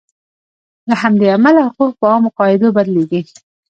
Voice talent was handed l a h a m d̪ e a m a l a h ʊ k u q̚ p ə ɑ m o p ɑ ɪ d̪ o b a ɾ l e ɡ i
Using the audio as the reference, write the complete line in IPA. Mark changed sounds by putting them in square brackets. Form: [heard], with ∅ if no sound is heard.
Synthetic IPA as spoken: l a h a m d̪ e a m a l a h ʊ [q] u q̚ p ə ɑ m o [q] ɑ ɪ d̪ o b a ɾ l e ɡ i